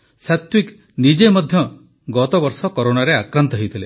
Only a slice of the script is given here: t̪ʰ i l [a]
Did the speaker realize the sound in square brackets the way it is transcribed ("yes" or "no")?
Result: no